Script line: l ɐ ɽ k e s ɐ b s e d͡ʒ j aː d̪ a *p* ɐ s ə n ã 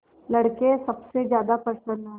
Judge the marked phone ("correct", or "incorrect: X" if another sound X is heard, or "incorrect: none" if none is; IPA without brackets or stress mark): correct